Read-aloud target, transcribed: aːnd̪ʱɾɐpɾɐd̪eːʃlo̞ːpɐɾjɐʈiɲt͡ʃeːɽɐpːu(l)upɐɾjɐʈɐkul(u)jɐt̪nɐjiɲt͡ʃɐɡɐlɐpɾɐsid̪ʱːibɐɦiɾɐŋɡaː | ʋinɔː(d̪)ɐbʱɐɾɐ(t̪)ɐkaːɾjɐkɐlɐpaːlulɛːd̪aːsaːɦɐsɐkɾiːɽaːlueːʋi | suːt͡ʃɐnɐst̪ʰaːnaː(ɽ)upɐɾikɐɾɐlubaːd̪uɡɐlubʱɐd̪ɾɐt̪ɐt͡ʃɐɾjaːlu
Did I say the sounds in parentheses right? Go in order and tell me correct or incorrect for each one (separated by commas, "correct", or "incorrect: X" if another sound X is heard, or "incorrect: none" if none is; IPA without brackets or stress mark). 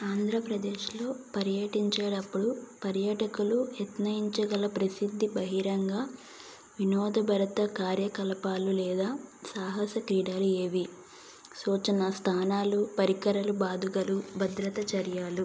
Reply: incorrect: ɽ, correct, correct, correct, incorrect: l